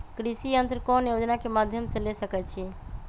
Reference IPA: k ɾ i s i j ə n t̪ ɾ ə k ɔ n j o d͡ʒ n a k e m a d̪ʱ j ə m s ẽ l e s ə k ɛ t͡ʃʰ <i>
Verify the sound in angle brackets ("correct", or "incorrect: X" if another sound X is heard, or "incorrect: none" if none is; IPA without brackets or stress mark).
correct